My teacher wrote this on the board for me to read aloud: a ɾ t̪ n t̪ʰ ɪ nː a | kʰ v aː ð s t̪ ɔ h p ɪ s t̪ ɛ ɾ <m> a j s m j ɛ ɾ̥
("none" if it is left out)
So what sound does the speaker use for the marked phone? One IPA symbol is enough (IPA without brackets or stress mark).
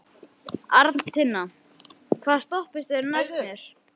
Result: n